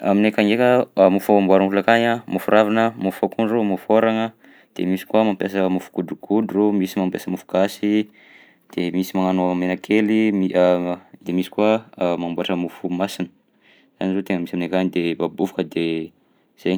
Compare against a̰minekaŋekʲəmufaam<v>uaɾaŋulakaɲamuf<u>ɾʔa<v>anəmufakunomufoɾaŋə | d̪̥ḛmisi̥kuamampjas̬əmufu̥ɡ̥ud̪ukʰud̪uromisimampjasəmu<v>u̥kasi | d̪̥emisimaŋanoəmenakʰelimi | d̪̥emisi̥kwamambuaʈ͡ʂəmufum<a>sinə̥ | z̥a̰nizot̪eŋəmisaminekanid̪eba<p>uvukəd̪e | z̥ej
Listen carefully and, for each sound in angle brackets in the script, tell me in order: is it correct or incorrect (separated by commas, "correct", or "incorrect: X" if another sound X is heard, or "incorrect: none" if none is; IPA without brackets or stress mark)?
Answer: incorrect: b, correct, correct, incorrect: f, correct, incorrect: b